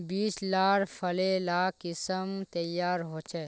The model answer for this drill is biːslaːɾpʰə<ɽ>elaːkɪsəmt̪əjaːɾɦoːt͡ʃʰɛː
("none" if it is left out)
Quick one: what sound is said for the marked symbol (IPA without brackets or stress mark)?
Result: l